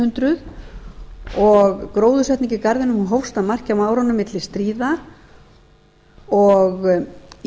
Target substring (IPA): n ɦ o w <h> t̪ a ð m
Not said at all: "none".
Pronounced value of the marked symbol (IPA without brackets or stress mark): s